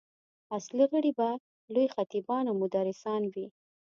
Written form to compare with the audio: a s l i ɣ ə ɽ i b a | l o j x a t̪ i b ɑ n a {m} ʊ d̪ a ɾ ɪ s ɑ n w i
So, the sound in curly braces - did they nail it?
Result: yes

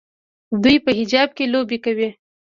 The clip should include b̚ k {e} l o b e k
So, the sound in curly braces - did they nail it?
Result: yes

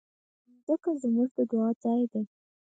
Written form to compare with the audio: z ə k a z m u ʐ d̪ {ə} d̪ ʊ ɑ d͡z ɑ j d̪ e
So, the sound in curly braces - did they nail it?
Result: yes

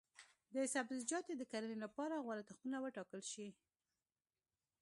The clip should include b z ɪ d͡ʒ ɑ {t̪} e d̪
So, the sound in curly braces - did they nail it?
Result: yes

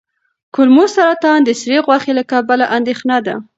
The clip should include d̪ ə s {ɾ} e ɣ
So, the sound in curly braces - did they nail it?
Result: yes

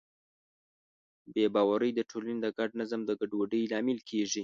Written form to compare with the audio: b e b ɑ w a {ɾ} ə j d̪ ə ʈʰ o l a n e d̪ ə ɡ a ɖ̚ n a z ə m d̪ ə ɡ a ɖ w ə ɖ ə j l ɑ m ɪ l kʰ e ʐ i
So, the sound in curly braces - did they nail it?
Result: yes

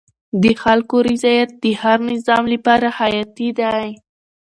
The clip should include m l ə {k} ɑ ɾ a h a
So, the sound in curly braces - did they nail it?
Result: no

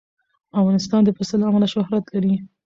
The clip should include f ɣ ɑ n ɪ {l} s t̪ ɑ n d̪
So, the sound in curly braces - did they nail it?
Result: no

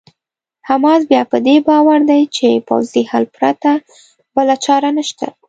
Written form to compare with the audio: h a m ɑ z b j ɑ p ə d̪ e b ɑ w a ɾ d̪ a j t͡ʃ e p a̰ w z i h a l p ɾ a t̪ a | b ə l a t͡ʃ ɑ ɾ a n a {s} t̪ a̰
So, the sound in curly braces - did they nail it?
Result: no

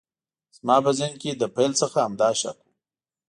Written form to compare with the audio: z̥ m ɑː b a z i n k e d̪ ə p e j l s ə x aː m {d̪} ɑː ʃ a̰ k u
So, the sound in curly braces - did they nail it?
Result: yes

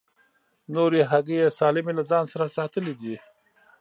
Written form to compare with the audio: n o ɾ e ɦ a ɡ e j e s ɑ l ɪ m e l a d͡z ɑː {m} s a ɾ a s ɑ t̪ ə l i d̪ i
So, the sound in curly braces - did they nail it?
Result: no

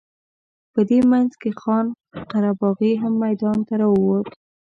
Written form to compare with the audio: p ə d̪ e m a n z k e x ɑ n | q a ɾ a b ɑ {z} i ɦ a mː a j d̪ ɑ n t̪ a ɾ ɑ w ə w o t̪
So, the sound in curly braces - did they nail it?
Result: no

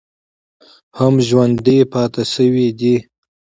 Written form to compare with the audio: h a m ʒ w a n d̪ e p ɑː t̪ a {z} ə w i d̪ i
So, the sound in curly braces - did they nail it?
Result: no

